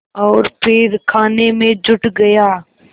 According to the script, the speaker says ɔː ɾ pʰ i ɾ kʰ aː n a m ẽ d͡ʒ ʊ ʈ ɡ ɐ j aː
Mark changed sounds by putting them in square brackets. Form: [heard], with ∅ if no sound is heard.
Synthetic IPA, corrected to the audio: ɔː ɾ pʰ [ɪ] ɾ kʰ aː n [e] m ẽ d͡ʒ ʊ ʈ ɡ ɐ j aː